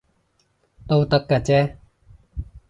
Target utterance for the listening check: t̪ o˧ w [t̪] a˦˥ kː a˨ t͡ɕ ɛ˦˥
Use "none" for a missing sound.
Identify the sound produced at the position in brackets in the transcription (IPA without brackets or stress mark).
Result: t̪